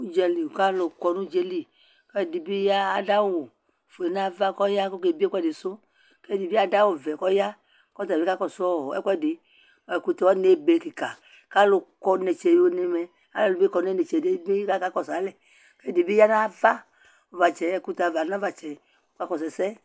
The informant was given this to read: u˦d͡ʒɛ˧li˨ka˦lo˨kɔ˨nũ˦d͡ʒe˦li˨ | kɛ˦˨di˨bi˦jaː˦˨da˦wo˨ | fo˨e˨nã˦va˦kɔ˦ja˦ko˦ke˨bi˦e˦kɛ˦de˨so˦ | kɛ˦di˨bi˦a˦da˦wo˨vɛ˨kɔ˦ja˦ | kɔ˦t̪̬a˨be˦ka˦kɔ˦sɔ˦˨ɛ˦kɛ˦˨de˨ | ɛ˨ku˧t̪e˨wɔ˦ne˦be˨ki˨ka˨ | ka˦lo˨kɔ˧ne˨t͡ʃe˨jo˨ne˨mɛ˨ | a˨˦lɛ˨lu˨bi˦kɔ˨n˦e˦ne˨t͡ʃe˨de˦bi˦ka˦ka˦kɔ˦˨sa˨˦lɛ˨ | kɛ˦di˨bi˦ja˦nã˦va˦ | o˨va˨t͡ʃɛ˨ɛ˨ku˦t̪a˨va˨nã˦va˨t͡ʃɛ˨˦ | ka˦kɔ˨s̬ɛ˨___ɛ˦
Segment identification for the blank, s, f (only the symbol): s